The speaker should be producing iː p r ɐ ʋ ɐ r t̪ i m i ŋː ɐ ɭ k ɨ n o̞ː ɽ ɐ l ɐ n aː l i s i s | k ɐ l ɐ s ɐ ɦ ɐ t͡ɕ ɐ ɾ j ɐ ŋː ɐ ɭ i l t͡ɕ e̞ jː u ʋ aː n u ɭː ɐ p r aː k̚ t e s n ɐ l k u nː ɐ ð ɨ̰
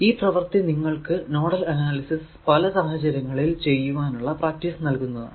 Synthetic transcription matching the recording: iː p r ɐ ʋ ɐ r t̪ i n i ŋː ɐ ɭ k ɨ n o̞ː ɽ ɐ l ɐ n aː l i s i s | p ɐ l ɐ s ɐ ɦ ɐ t͡ɕ ɐ ɾ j ɐ ŋː ɐ ɭ i l t͡ɕ e̞ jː u ʋ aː n u ɭː ɐ p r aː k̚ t i s n ɐ l k u nː ɐ ð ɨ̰